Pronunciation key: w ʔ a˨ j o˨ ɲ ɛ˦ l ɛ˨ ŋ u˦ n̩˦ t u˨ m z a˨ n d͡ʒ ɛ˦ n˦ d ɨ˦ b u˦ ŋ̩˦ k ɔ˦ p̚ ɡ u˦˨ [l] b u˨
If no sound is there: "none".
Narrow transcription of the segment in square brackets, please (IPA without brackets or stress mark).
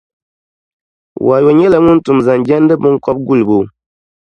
l